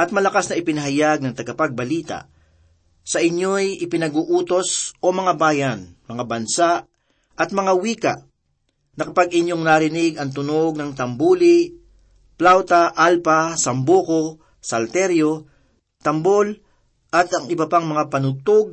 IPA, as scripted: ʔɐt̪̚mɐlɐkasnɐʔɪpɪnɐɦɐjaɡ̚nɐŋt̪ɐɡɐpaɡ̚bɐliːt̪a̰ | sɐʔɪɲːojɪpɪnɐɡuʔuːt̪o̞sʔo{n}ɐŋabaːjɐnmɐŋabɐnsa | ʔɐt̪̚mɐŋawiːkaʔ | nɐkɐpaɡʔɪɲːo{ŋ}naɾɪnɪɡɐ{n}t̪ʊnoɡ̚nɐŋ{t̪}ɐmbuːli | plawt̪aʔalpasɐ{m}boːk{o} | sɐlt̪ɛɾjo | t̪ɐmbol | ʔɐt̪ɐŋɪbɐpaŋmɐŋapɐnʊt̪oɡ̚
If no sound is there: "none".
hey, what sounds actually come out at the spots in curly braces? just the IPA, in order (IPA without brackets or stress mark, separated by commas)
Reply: m, ŋ, ŋ, t̪, m, o